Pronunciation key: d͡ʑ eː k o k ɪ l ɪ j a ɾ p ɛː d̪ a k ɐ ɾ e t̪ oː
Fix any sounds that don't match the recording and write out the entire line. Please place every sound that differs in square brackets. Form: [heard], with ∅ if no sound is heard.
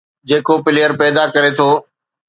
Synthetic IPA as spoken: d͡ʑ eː k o [p] ɪ l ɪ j [ə] ɾ p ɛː d̪ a k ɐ ɾ e [t̪ʰ] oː